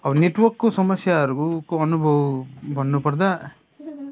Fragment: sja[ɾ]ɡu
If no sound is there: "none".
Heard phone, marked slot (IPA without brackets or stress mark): ɾ